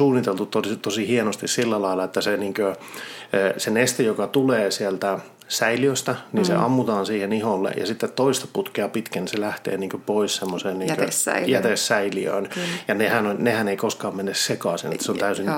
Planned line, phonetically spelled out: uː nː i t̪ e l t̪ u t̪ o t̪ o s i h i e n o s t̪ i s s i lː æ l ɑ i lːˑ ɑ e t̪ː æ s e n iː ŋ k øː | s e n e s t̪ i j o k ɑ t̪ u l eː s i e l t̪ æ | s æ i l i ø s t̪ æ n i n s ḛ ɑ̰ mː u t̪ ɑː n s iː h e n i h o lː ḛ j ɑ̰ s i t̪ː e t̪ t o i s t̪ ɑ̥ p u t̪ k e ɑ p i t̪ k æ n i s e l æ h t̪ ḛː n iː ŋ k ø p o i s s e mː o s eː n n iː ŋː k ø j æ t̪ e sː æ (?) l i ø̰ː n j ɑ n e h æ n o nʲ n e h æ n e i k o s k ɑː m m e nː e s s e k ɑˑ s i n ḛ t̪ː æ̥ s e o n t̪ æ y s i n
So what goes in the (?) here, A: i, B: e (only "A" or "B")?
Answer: A